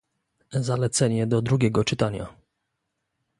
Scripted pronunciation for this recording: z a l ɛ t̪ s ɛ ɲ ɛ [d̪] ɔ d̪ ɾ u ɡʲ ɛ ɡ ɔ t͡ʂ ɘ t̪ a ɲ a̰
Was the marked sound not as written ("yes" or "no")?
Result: no